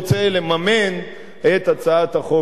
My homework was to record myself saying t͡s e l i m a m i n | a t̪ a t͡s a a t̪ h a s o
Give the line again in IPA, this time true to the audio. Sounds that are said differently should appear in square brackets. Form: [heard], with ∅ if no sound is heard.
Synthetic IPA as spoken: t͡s e l [e] m a m [e] n | [e] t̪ a t͡s a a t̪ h a [χ] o